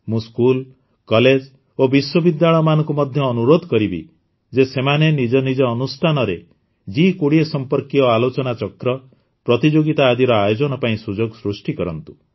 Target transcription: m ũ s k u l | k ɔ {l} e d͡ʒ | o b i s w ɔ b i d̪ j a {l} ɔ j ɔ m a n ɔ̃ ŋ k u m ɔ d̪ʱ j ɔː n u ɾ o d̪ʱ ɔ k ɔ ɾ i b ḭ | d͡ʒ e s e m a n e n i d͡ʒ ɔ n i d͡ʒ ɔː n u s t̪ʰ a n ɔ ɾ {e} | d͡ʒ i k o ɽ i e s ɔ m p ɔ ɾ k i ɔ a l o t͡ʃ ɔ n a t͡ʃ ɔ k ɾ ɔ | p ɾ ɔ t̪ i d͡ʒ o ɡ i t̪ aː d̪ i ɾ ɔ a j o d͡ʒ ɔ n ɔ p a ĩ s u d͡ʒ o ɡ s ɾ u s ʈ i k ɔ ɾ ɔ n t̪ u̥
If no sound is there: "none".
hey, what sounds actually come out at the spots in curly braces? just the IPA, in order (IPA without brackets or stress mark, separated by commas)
l, ɭ, e